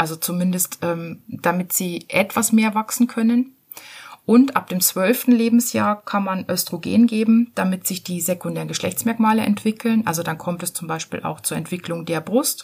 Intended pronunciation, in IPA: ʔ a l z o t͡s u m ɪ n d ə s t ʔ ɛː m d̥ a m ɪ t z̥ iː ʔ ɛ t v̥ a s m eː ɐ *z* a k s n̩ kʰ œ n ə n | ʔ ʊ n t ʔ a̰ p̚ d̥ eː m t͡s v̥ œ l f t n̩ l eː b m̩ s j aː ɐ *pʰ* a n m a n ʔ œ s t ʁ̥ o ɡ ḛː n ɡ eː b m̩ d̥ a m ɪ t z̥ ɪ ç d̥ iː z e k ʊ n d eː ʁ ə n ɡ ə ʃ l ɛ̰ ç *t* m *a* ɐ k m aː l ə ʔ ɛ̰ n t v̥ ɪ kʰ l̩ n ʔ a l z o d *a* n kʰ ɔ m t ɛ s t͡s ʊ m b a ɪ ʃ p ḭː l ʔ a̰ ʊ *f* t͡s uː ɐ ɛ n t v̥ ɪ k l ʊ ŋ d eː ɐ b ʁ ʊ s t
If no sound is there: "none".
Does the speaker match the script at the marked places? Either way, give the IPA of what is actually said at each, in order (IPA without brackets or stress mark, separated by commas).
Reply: v, kʰ, t͡s, ɛ, a, x